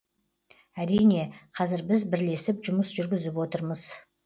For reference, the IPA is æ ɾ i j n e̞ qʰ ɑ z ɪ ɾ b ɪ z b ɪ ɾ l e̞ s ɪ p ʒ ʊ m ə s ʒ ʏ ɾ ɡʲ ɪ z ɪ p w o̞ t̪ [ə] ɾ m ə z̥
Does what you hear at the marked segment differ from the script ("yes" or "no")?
no